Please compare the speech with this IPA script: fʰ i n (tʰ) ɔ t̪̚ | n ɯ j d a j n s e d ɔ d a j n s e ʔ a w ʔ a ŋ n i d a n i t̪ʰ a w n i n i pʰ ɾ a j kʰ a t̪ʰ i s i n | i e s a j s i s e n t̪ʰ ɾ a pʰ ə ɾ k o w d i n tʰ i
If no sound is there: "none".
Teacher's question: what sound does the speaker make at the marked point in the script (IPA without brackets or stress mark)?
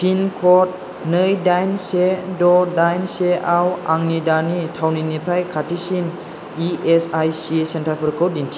kʰ